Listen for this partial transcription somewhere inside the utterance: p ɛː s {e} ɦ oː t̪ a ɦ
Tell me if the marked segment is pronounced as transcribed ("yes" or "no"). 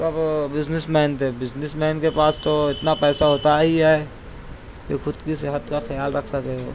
no